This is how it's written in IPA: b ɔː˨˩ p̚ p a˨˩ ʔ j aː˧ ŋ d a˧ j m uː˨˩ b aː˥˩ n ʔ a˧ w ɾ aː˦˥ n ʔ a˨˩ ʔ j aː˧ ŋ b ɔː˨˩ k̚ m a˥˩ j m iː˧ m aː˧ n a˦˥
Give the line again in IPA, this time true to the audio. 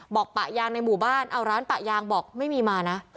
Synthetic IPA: b ɔː˨˩ k̚ p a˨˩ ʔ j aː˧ ŋ n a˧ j m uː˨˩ b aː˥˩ n ʔ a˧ w ɾ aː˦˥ n p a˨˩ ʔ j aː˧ ŋ b ɔː˨˩ k̚ m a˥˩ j m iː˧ m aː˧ n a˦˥